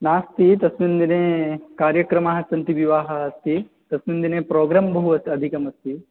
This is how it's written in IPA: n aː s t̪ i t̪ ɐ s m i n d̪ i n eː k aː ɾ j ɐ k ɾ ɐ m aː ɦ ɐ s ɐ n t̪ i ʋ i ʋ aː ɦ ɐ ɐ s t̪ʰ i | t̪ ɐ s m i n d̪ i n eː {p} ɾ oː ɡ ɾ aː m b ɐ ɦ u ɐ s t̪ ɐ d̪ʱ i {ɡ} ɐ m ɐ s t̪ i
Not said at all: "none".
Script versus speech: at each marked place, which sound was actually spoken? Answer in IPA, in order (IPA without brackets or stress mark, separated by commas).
p, k